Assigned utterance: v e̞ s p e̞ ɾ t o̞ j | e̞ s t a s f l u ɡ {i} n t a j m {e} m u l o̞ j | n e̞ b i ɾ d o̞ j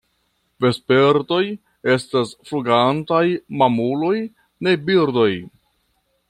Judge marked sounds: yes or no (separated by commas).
no, no